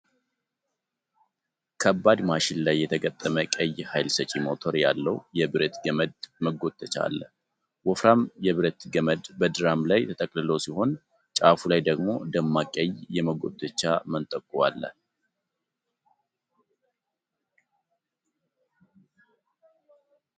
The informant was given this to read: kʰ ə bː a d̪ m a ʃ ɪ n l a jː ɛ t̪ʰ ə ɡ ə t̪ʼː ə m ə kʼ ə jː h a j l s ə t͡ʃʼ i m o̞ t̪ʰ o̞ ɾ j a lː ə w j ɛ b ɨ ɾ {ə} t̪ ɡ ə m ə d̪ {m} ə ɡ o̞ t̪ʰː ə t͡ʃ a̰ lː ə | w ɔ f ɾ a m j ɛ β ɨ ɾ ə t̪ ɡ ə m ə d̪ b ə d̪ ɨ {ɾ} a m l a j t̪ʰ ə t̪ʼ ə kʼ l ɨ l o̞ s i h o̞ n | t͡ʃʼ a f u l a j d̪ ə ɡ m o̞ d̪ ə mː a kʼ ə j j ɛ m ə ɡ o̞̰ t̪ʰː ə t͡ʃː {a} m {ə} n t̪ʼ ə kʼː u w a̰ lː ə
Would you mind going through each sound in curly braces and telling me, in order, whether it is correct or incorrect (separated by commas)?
correct, correct, correct, correct, correct